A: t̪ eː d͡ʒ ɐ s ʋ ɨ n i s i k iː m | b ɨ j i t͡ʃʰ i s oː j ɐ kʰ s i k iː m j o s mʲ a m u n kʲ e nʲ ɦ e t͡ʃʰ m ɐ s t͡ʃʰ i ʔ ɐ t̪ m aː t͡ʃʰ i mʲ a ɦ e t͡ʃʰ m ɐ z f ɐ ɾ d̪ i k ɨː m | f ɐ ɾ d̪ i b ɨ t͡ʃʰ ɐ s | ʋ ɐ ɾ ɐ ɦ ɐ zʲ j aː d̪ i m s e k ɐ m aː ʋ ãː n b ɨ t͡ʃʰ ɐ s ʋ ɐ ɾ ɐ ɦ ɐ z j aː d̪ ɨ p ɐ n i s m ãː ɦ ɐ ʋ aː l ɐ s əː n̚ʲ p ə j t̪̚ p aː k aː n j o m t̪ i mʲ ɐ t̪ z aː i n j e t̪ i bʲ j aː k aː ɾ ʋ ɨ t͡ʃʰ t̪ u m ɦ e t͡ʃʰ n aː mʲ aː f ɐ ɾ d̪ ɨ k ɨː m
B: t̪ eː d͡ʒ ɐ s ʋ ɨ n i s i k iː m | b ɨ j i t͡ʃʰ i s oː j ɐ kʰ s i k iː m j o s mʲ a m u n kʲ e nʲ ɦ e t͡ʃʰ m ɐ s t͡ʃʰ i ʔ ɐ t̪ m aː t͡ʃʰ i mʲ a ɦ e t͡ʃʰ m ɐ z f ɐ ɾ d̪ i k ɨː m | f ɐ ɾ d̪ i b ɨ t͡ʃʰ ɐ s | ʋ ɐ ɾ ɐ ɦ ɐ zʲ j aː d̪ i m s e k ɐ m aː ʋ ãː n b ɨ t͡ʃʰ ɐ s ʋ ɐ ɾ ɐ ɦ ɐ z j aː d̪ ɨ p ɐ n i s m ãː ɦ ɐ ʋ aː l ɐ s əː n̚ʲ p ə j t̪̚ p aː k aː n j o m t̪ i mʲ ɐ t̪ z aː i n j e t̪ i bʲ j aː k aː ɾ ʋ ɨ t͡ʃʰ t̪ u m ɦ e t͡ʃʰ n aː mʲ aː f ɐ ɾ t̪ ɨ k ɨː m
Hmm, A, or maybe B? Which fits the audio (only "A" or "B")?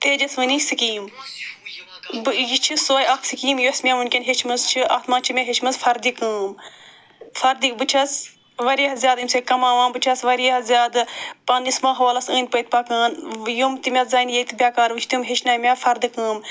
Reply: A